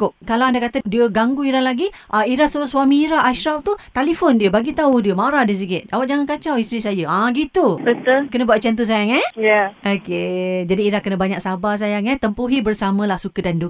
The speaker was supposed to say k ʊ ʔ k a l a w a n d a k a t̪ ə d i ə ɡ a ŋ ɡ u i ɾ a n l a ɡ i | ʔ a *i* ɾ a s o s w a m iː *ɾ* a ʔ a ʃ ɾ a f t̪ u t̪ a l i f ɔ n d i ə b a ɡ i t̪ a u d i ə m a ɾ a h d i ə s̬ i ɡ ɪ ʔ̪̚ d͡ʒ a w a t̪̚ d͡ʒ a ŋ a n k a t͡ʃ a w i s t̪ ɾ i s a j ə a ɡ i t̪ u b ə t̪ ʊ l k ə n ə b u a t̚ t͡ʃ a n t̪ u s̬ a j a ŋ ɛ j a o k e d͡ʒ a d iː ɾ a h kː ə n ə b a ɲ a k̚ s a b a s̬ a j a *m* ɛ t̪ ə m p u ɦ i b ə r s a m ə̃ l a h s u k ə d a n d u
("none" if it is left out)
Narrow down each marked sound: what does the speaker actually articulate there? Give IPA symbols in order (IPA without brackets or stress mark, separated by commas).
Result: i, ɾ, ŋ